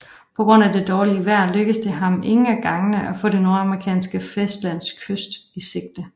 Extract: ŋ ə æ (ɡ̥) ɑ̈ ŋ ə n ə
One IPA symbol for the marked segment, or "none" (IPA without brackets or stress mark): ɡ̥